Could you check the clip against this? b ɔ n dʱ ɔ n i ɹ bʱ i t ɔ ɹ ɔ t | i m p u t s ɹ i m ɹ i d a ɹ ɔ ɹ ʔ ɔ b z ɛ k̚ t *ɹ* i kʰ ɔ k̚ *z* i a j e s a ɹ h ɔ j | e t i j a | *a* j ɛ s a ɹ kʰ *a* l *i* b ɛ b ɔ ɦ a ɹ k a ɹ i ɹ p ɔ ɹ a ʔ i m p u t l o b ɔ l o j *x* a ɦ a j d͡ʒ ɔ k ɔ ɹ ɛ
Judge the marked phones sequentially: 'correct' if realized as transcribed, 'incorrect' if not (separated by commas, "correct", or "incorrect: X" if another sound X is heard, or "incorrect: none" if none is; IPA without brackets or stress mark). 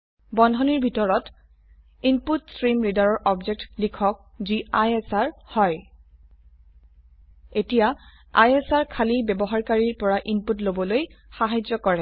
incorrect: l, correct, correct, correct, correct, correct